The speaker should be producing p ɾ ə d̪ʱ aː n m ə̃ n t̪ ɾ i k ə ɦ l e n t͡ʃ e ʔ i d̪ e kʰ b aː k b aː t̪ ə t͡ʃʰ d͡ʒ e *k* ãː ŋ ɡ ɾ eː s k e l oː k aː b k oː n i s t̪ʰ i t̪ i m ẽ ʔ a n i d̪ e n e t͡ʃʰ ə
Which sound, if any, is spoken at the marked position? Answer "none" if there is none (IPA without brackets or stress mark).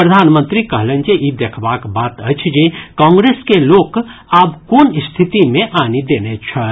k